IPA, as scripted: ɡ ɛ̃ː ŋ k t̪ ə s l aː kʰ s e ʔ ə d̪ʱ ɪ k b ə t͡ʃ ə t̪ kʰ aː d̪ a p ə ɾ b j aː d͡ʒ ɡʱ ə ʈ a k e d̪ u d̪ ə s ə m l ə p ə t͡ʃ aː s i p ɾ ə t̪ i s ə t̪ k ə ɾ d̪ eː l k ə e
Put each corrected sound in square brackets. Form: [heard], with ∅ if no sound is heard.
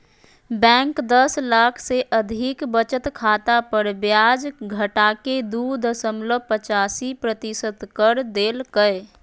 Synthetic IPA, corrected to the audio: [b] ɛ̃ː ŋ k [d̪] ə s l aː kʰ s e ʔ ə d̪ʱ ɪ k b ə t͡ʃ ə t̪ kʰ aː [t̪] a p ə ɾ b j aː d͡ʒ ɡʱ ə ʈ a k e d̪ u d̪ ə s ə m l ə p ə t͡ʃ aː s i p ɾ ə t̪ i s ə t̪ k ə ɾ d̪ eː l k ə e